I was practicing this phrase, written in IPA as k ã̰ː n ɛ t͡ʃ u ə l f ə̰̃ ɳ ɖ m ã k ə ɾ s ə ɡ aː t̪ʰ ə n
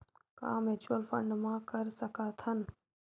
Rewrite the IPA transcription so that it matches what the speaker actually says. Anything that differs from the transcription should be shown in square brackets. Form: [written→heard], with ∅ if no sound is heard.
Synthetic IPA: k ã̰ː [n→m] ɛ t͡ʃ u ə l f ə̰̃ ɳ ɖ m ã k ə ɾ s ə [ɡ→k] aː t̪ʰ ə n

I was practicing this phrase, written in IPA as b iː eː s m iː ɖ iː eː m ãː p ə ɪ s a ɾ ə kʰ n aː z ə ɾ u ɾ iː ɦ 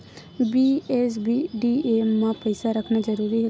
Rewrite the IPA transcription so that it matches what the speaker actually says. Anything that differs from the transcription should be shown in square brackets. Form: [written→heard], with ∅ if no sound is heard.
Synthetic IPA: b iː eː s [m→b] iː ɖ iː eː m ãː p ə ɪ s a ɾ ə kʰ n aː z ə ɾ [u→uː] ɾ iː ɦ

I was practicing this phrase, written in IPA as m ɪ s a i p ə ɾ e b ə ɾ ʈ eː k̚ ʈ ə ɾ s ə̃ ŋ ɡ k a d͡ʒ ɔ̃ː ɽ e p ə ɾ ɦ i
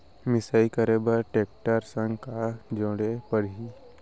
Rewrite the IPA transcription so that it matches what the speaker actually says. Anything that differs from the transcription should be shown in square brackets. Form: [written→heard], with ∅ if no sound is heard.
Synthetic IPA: m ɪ s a i [p→k] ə ɾ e b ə ɾ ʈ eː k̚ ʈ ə ɾ s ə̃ ŋ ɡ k a d͡ʒ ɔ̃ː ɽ e p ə ɾ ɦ i

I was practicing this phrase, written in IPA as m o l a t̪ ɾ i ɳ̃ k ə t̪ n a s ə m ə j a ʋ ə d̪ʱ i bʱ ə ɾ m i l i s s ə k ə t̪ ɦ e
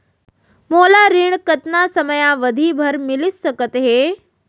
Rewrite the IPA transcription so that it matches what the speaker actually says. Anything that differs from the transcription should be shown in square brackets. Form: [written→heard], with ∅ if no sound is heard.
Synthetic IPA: m o l a [t̪→∅] ɾ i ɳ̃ k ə t̪ n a s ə m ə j a ʋ ə d̪ʱ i bʱ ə ɾ m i l i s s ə k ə t̪ ɦ e

